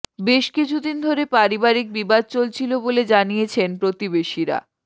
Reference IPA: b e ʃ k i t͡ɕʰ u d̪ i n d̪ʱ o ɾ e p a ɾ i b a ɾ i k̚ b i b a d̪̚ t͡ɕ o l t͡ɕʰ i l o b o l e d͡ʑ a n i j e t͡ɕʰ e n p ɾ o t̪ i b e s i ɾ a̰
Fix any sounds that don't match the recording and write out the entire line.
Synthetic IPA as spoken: b e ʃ k i t͡ɕʰ u d̪ i n d̪ʱ o ɾ e p a ɾ i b a ɾ i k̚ b i b a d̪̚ t͡ɕ o l t͡ɕʰ i l o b o l e d͡ʑ a n i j e t͡ɕʰ e n p ɾ o t̪ i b e ʃ i ɾ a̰